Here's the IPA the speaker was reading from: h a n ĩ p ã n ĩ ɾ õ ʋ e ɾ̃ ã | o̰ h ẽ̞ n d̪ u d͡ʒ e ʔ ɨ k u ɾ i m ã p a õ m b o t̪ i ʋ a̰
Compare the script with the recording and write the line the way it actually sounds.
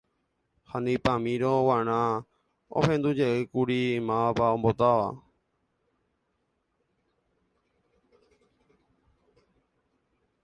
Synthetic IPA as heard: h a n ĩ p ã m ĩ ɾ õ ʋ a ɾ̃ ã | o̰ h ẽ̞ n d̪ u d͡ʒ e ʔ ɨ k u ɾ i m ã p a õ m b o t̪ a ʋ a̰